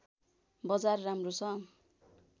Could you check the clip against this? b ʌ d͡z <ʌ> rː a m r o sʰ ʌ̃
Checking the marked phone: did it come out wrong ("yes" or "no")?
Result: yes